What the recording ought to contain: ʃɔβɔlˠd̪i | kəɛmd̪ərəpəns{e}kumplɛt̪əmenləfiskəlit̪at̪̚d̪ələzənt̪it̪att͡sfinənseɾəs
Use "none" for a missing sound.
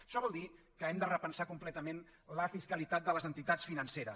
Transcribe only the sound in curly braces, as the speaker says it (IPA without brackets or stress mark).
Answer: a